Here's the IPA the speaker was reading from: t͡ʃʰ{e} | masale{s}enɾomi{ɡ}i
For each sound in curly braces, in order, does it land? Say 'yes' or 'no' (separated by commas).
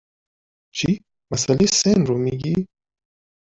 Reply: no, yes, yes